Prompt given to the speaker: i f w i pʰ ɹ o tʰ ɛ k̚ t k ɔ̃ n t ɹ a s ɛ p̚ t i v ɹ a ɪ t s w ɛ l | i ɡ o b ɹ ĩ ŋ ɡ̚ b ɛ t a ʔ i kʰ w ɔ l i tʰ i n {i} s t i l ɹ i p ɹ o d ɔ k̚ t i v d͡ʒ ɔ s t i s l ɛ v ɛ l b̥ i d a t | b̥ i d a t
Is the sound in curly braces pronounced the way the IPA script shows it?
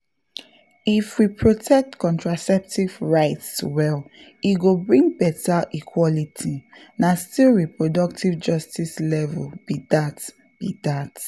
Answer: no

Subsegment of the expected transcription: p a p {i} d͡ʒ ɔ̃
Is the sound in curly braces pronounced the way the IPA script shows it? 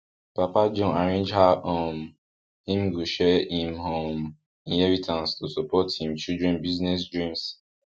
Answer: no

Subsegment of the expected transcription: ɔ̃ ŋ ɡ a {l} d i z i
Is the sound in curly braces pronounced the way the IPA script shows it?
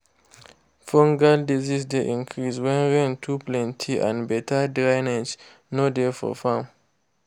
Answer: yes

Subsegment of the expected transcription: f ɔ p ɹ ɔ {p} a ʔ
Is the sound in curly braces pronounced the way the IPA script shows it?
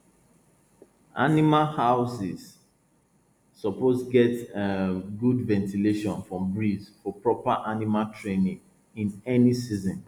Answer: yes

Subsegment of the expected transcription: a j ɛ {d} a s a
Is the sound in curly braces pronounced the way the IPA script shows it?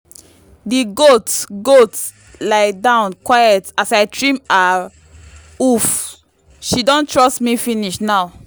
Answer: no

